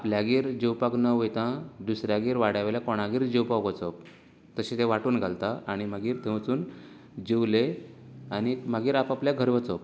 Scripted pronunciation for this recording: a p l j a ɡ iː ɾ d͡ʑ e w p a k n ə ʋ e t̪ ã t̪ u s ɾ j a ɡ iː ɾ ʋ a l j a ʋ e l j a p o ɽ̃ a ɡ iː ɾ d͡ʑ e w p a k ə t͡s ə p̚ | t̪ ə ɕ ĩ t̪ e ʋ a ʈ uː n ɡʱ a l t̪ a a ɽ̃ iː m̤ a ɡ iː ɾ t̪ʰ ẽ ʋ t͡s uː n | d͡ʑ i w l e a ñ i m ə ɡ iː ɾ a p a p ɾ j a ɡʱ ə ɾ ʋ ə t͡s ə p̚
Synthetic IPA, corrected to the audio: a p l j a ɡ iː ɾ d͡ʑ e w p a k n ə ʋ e t̪ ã d̪ u s ɾ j a ɡ iː ɾ ʋ a ɽ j a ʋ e l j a k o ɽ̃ a ɡ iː ɾ d͡ʑ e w p a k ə t͡s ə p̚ | t̪ ə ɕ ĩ t̪ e ʋ a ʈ uː n ɡʱ a l t̪ a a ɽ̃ i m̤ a ɡ iː ɾ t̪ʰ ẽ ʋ t͡s uː n | d͡ʑ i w l e a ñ i m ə ɡ iː ɾ a p a p l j a ɡʱ ə ɾ ʋ ə t͡s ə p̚